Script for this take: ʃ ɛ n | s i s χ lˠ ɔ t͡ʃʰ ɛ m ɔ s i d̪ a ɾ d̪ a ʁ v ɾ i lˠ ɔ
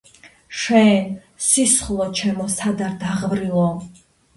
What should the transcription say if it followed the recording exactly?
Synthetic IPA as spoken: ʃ ɛ n | s i s χ lˠ ɔ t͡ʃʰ ɛ m ɔ s a d̪ a ɾ d̪ a ʁ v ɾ i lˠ ɔ